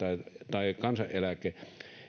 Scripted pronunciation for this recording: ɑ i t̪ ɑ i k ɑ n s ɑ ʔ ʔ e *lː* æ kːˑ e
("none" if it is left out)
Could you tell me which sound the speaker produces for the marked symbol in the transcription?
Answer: l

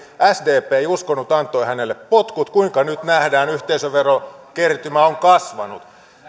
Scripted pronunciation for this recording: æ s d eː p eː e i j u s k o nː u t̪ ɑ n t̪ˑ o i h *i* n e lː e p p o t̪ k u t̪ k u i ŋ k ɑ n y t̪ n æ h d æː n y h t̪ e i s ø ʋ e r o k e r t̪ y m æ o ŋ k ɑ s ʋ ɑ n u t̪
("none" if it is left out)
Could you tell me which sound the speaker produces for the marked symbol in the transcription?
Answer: æ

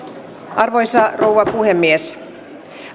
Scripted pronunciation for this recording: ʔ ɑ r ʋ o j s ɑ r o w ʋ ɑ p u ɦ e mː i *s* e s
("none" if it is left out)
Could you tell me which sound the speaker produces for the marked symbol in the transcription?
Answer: none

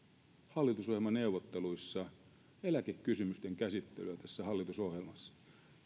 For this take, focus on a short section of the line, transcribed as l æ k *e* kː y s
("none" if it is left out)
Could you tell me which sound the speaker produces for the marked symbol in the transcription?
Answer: e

